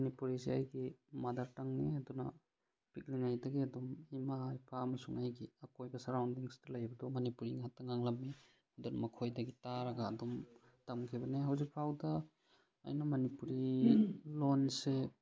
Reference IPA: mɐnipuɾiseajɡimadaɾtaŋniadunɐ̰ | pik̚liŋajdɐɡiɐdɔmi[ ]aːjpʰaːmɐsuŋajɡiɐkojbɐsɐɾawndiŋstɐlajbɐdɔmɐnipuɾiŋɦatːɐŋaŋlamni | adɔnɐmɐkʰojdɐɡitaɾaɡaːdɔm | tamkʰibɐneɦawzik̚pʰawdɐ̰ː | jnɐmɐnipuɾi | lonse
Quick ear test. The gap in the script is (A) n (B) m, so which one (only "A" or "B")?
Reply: B